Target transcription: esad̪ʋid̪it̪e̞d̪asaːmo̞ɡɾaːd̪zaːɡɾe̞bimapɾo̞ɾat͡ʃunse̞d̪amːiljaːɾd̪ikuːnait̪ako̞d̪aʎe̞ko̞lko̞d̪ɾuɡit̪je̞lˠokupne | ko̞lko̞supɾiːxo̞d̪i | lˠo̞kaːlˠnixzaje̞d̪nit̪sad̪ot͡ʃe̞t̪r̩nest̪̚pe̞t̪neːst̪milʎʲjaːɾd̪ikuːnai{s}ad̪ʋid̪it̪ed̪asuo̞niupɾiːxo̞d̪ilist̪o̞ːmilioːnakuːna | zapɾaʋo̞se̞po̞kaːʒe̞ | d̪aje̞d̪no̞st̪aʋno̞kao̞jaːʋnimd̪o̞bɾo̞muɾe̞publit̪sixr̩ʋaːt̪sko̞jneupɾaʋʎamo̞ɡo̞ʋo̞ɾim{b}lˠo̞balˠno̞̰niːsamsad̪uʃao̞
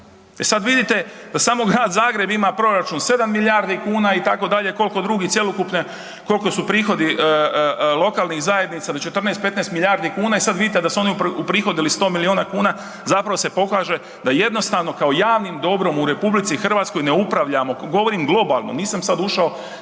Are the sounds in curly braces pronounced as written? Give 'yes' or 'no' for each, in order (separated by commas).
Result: yes, no